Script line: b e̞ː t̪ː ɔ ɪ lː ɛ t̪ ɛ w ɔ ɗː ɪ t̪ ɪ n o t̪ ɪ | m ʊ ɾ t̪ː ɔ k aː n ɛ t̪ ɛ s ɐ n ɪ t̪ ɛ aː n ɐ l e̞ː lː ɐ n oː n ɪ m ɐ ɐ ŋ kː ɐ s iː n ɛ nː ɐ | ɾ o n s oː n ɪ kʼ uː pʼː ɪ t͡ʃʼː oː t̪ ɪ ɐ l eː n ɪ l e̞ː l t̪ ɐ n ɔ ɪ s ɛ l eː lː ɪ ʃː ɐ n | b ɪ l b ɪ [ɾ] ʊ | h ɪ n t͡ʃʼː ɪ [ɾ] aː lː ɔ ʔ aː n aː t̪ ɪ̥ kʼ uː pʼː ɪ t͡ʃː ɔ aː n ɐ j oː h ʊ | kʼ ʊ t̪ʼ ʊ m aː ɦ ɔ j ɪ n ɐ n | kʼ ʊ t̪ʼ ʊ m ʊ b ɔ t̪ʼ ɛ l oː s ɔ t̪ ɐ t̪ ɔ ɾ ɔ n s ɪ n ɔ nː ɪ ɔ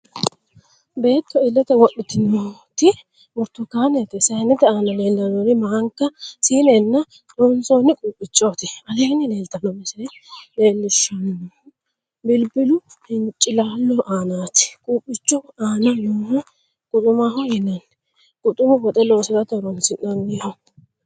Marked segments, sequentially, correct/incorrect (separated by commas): incorrect, incorrect